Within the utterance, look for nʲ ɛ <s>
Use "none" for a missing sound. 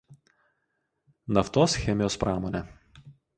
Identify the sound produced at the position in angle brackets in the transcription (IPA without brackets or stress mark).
none